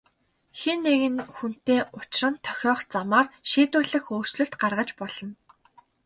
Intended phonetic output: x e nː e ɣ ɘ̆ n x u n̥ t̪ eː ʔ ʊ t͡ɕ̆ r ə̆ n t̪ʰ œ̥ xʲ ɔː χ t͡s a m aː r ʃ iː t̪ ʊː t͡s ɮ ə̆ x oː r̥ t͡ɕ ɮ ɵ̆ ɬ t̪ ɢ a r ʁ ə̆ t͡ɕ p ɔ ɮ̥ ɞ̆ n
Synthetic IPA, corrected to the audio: x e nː e ɣ ɘ̆ n x u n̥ t̪ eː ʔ ʊ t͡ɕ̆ r ə̆ n t̪ʰ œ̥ xʲ ɔː χ t͡s a m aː r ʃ iː t̪ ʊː ɮ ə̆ x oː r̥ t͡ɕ ɮ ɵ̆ ɬ t̪ ɢ a r ʁ ə̆ t͡ɕ p ɔ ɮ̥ ɞ̆ n